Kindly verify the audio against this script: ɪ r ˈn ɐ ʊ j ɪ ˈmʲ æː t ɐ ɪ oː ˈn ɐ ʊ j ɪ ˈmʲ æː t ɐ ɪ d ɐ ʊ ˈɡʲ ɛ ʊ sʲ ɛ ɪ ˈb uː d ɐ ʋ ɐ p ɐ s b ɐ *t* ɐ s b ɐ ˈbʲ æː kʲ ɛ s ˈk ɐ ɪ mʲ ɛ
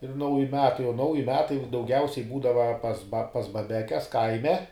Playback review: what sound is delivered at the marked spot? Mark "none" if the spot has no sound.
p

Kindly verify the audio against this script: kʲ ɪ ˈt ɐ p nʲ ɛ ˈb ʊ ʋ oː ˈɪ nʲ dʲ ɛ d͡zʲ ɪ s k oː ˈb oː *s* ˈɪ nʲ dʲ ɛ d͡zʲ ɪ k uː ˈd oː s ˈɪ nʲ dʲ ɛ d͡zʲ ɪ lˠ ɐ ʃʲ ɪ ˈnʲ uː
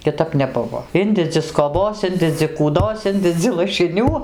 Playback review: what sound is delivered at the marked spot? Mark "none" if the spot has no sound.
s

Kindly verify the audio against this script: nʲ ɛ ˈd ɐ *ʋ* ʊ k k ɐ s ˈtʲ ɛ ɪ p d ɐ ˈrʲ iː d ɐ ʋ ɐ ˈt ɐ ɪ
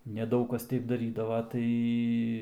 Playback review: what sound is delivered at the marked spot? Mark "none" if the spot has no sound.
none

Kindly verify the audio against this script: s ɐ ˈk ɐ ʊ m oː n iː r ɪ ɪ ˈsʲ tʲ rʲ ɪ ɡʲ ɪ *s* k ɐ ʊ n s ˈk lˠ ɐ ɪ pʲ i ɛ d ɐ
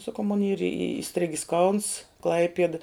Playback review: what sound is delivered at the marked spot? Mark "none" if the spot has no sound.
s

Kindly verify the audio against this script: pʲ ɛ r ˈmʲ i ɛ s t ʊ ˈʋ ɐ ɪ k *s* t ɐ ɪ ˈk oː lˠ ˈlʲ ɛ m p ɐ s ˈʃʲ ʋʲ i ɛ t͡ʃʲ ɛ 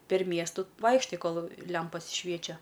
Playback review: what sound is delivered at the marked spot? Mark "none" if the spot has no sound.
ʃ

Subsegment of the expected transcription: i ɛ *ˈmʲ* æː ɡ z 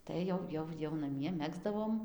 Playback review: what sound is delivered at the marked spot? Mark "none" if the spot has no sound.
mʲ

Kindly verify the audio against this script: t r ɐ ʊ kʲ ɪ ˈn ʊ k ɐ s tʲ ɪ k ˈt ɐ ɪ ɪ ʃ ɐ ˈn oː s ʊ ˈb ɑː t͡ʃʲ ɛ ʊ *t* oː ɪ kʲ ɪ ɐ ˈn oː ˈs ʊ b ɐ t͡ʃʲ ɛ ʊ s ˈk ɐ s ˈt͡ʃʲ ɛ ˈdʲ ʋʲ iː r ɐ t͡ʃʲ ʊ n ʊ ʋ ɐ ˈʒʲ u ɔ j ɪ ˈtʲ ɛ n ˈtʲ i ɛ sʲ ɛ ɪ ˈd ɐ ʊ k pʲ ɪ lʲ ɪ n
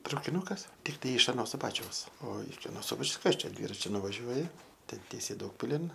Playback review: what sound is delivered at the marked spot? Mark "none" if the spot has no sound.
s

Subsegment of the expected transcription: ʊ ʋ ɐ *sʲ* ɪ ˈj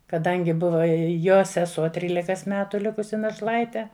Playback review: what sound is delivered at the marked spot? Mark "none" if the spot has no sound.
none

